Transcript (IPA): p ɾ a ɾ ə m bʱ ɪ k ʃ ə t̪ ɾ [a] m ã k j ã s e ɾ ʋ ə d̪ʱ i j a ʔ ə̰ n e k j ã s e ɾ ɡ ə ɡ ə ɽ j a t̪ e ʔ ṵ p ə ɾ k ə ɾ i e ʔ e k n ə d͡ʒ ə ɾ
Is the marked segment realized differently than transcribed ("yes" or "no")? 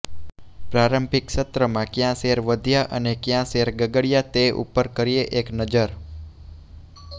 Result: yes